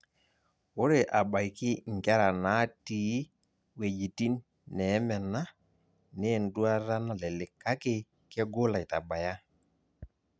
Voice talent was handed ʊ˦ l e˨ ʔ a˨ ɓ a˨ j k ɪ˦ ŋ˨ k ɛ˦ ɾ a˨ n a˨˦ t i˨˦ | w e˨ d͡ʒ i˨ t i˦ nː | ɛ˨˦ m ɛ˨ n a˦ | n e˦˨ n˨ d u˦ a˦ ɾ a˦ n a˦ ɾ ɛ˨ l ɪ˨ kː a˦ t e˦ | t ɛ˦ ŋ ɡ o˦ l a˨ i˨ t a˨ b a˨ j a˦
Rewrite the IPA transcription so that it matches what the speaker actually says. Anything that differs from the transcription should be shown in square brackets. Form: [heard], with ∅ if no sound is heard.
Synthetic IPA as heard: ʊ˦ [ɾ] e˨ ʔ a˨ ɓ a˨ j k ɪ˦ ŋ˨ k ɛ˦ ɾ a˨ n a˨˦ t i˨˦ | w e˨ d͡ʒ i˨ t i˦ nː | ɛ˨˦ m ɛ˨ n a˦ | n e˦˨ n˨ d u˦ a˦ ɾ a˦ n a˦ [l] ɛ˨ l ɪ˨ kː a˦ [k] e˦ | [k] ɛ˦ [∅] ɡ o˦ l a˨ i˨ t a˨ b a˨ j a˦